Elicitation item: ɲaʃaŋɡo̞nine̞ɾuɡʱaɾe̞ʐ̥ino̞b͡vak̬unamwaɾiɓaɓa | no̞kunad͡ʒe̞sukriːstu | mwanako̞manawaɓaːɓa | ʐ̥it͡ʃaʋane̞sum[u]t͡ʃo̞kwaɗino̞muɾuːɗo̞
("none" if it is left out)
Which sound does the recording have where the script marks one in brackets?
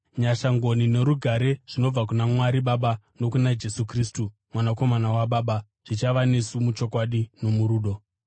u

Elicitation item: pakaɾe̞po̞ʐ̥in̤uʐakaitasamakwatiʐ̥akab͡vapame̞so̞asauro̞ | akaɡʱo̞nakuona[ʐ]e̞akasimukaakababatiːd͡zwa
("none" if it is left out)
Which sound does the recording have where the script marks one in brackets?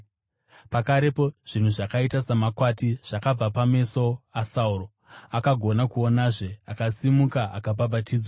ʐ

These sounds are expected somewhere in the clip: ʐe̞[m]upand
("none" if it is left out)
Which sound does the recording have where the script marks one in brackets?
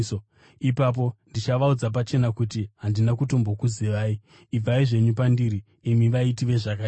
ɲ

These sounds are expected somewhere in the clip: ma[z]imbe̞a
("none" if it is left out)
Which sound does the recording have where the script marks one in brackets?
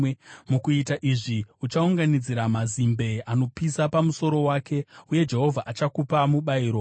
z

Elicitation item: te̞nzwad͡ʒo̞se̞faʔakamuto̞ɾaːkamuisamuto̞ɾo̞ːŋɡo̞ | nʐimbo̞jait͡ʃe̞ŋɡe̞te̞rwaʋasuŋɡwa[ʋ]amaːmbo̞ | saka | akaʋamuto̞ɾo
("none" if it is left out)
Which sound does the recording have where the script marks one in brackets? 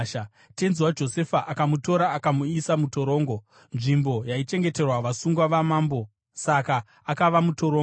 ʋ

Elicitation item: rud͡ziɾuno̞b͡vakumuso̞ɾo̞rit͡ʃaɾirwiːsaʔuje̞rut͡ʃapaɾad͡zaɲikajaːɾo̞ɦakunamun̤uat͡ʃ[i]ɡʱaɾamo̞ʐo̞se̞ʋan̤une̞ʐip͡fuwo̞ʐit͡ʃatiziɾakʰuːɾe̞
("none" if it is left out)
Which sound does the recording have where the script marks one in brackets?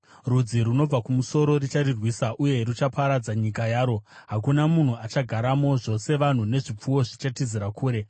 a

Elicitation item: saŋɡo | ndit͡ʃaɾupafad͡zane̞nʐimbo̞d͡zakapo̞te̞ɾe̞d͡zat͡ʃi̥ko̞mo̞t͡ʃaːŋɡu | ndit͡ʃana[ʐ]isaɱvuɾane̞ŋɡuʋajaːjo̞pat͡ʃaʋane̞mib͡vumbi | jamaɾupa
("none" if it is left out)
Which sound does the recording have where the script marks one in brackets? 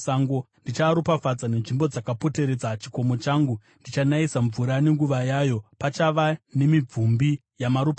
none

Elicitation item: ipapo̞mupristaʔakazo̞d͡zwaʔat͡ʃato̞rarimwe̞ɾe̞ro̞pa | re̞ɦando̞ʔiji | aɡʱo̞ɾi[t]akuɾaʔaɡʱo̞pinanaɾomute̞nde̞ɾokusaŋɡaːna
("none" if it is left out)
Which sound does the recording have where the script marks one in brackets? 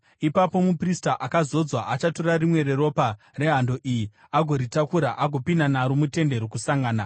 t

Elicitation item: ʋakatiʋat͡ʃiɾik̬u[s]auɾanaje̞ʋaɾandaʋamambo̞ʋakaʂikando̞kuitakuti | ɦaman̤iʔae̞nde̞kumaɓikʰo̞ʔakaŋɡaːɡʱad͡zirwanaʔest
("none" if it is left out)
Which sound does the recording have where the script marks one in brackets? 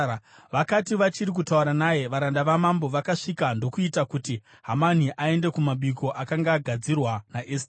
t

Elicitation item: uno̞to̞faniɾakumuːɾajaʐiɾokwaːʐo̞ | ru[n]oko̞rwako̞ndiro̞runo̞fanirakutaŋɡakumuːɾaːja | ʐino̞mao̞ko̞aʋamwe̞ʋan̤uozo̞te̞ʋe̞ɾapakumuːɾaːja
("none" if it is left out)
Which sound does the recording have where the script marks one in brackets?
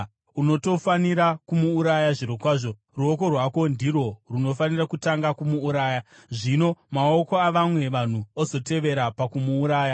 none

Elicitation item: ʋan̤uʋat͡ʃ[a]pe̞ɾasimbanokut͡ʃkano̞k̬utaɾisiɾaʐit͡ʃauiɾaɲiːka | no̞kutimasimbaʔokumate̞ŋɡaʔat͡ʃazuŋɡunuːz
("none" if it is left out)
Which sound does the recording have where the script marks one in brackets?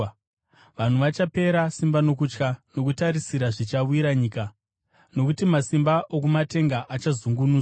a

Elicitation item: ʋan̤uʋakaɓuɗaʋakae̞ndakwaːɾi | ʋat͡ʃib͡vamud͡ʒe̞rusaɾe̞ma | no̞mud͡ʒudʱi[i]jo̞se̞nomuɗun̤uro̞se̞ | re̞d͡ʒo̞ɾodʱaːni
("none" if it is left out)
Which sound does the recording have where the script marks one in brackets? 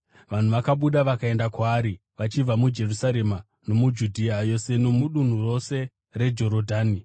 a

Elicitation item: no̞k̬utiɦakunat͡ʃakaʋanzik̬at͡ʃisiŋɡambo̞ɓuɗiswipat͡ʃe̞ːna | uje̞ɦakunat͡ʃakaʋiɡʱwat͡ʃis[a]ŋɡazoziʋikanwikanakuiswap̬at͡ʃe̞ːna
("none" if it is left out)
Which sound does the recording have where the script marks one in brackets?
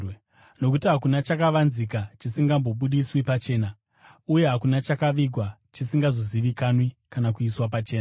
i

